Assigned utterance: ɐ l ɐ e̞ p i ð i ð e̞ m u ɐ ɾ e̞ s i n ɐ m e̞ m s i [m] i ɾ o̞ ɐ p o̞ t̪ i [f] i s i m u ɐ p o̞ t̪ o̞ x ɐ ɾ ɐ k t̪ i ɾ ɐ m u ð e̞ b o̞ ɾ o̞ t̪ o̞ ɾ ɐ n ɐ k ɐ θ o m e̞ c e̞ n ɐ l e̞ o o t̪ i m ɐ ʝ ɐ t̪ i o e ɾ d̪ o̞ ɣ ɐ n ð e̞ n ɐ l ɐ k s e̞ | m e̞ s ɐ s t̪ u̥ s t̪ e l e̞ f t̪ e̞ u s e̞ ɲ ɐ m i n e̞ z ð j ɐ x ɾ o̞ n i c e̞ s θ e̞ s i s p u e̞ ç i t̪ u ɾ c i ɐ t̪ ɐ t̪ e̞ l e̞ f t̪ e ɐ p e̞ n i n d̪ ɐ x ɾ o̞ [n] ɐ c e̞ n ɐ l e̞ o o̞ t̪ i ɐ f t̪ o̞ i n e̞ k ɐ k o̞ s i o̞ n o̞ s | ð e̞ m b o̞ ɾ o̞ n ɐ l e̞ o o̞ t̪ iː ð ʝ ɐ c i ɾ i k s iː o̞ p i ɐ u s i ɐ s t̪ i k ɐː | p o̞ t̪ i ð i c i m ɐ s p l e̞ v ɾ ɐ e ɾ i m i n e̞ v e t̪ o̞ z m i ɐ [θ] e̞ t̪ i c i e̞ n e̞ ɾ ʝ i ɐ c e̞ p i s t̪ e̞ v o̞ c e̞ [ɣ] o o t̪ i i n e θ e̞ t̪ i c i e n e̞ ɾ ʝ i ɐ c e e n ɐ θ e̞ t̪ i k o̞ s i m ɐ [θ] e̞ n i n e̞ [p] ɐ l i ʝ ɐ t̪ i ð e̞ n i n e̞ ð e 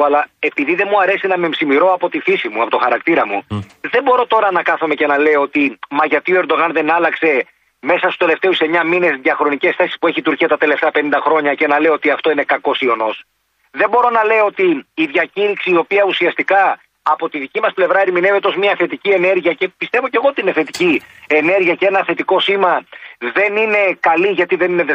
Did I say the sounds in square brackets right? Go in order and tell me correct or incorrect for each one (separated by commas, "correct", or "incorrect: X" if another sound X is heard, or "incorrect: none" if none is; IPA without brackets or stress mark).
correct, correct, incorrect: ɲ, correct, correct, incorrect: ð, incorrect: k